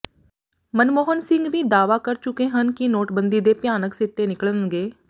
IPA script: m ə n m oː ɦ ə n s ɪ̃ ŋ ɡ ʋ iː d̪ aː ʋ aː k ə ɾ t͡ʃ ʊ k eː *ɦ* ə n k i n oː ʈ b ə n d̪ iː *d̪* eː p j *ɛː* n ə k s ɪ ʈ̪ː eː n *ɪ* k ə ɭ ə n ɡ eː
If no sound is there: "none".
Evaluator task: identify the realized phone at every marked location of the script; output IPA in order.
ɦ, d̪, aː, ɪ

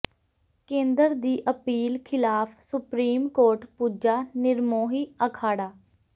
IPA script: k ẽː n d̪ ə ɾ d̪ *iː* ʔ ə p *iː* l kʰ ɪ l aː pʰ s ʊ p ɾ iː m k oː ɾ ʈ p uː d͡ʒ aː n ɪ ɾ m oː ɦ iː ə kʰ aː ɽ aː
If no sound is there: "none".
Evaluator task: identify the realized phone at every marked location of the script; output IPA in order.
iː, iː

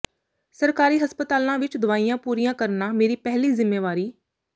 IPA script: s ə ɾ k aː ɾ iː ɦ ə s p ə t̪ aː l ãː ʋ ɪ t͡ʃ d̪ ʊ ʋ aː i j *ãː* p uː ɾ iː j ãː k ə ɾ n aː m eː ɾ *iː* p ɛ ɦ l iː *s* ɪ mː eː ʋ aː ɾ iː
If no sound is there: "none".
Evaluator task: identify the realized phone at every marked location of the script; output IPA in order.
ãː, iː, z

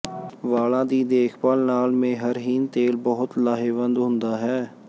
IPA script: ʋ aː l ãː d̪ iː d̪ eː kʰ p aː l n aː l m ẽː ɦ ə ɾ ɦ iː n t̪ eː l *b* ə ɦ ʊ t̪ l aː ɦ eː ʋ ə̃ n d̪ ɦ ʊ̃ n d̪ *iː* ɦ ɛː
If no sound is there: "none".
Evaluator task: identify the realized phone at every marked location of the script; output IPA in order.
b, aː

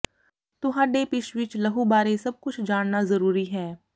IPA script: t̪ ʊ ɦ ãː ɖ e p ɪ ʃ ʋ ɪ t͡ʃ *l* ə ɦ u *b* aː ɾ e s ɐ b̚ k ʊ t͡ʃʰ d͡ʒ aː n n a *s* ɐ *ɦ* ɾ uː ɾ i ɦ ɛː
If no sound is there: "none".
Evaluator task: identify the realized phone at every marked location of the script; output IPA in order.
l, b, z, none

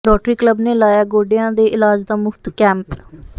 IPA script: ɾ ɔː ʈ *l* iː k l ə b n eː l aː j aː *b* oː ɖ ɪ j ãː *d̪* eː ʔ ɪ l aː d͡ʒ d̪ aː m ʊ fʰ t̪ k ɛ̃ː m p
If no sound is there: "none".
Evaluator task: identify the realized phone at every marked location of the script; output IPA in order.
ɾ, ɡ, d̪

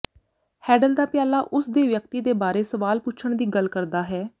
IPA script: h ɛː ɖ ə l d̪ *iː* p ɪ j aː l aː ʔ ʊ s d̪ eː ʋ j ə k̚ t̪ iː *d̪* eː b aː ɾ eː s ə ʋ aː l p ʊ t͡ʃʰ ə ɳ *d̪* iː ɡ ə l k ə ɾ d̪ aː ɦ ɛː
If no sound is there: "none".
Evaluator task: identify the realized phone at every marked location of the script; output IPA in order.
aː, d̪, d̪

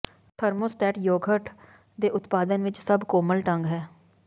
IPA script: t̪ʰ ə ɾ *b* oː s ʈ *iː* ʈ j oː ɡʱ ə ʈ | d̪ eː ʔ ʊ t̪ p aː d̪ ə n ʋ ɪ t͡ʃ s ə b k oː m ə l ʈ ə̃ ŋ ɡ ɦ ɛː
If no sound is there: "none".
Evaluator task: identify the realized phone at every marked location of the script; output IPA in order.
m, ɛː

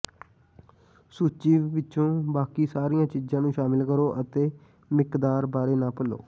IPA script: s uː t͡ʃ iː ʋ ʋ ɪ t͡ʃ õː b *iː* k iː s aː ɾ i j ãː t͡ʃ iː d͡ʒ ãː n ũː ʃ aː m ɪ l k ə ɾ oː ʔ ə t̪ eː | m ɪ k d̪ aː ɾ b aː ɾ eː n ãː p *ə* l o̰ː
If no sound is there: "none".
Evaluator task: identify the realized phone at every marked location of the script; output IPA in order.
aː, ə

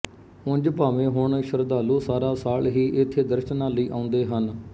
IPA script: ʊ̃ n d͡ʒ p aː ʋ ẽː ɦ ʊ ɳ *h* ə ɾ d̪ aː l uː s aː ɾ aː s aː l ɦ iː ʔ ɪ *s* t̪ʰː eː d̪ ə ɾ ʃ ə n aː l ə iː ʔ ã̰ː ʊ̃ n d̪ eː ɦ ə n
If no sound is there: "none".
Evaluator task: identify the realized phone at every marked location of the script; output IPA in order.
ʃ, none

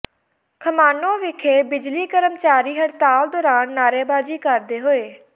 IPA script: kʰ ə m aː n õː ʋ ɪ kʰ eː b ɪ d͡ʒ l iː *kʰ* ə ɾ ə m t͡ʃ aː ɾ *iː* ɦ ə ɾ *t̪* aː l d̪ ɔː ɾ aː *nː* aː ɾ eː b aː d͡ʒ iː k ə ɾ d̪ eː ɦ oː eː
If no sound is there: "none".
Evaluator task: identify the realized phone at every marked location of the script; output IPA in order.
k, iː, t̪, nː

